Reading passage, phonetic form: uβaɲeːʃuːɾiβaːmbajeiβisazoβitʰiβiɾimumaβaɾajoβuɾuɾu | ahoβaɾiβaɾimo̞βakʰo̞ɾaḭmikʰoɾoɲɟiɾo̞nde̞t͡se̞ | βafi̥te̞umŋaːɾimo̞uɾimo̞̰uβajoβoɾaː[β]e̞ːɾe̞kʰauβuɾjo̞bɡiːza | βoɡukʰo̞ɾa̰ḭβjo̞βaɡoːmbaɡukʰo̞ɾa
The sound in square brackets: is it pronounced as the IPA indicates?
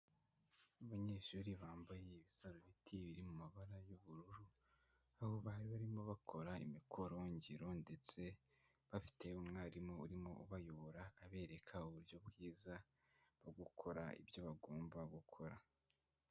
yes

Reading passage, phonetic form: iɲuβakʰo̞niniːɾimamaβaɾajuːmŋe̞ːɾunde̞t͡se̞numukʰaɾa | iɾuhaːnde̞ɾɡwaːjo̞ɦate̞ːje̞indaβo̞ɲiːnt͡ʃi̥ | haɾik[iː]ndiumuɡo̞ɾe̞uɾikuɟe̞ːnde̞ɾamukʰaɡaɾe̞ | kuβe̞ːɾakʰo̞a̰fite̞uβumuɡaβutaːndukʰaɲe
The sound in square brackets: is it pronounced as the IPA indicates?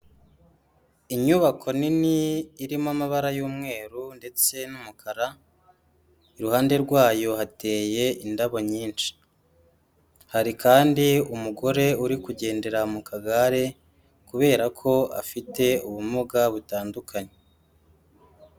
no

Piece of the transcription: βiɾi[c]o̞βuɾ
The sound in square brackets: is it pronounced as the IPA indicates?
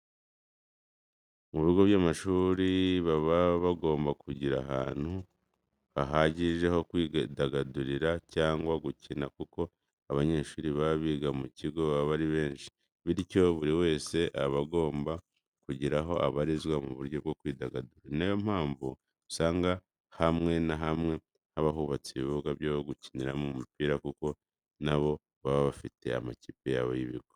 yes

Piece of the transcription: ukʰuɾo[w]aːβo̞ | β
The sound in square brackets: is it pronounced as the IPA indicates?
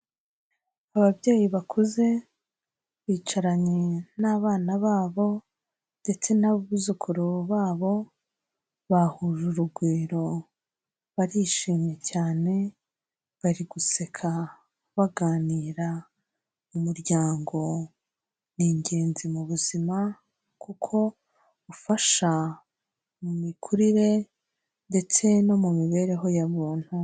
no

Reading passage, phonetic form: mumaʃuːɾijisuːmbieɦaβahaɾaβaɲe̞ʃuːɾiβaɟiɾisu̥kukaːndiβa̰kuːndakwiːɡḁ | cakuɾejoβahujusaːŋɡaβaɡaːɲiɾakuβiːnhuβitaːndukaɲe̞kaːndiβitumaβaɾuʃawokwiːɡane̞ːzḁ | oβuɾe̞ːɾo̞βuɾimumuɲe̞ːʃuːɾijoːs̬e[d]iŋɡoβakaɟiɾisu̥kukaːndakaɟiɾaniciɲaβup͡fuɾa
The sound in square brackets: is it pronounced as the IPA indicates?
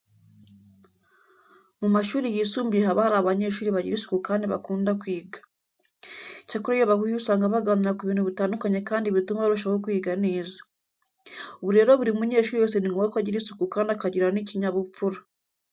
no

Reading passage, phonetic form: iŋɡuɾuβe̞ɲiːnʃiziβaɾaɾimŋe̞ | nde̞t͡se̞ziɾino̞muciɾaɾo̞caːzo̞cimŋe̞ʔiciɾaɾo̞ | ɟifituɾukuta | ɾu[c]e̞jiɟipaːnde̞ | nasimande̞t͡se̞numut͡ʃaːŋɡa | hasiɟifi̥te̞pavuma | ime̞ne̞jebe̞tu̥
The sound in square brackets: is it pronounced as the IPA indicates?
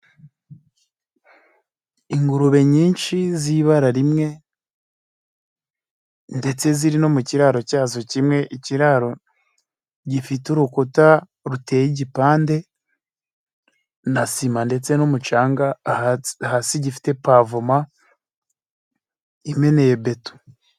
no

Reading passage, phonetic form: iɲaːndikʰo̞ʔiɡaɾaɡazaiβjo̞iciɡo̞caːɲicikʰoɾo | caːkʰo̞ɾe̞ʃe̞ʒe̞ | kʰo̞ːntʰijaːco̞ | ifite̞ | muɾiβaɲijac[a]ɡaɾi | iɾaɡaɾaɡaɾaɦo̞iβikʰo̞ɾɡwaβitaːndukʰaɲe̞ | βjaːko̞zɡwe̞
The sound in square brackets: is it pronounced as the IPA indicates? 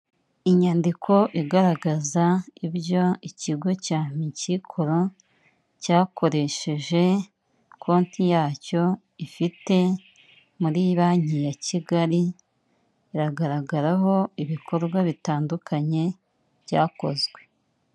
no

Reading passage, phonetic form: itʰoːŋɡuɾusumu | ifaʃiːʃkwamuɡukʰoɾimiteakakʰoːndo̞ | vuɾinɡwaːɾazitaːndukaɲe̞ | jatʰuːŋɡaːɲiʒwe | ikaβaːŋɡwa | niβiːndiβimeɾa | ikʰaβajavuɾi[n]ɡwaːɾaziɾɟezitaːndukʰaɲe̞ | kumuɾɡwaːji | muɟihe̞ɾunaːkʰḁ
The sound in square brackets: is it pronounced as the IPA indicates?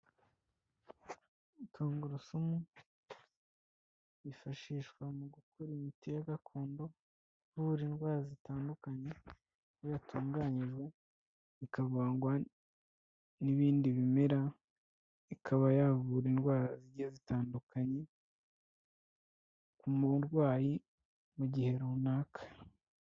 yes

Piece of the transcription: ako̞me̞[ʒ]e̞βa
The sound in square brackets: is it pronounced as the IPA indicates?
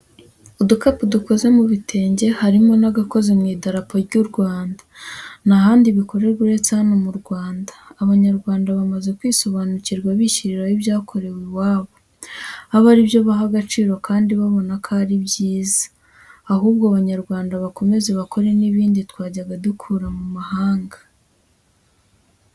no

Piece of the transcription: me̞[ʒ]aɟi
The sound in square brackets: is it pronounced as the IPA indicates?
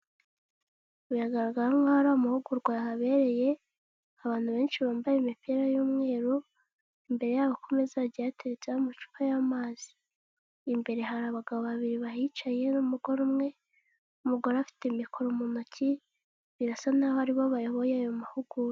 no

